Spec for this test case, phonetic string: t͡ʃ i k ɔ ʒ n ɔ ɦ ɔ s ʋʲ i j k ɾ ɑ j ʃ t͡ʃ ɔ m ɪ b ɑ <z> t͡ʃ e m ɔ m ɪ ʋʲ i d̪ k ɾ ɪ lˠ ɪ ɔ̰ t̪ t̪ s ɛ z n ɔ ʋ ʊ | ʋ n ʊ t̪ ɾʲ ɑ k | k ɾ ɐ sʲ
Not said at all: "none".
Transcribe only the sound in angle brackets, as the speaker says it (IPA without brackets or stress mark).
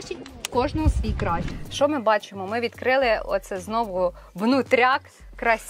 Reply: none